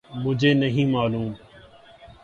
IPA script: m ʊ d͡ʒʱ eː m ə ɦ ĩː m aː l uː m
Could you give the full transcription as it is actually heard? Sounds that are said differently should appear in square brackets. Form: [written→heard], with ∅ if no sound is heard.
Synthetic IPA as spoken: m ʊ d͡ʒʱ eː [m→n] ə ɦ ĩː m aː l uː m